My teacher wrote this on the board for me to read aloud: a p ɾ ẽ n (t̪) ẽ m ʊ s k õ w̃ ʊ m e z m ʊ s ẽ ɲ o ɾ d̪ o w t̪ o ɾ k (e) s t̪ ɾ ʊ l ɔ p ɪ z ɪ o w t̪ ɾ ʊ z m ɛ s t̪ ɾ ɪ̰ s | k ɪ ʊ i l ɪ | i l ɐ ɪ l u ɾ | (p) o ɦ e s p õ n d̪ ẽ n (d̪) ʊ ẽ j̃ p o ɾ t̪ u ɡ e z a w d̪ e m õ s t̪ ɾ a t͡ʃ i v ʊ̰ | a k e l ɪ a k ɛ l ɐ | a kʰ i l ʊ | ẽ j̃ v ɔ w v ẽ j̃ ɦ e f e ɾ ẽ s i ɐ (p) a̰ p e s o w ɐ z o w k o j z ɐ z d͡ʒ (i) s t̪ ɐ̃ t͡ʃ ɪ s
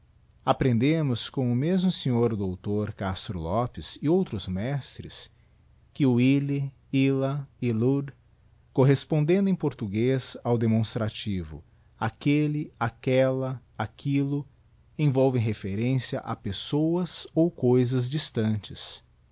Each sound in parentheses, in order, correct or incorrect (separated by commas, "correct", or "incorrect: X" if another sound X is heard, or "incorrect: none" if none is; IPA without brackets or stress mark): incorrect: d̪, incorrect: a, incorrect: k, correct, incorrect: ʔ, correct